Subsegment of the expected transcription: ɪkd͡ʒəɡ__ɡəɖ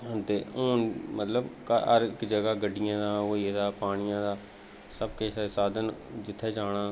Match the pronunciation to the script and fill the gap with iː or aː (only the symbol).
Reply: aː